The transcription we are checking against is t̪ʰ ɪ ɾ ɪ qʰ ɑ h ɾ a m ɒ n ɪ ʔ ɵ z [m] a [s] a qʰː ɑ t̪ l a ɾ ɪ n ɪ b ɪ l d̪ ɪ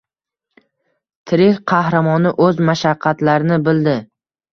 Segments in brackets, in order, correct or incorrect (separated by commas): correct, incorrect